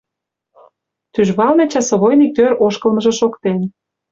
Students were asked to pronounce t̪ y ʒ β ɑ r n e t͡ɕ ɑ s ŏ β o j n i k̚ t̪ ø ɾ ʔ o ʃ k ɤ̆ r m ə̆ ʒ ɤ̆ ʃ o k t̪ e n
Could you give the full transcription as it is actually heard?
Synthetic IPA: t̪ y ʒ β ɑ l n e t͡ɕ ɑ s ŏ β o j n i k̚ t̪ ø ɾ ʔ o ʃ k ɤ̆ l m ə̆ ʒ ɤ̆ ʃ o k t̪ e n